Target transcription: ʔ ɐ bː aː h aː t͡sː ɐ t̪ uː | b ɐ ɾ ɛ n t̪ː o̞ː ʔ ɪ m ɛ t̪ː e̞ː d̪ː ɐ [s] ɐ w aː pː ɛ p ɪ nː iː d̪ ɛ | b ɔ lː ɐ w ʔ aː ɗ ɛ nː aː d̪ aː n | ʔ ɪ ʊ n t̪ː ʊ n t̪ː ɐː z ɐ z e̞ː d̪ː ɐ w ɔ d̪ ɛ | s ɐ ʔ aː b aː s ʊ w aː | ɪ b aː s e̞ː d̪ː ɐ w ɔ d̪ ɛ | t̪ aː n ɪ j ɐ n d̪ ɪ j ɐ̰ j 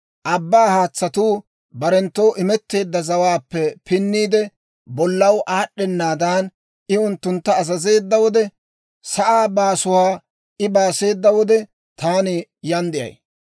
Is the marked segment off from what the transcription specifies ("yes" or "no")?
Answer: yes